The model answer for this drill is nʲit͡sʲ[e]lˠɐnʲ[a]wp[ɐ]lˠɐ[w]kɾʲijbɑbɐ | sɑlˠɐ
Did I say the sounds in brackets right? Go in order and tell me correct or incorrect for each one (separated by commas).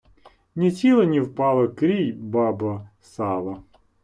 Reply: incorrect, incorrect, incorrect, incorrect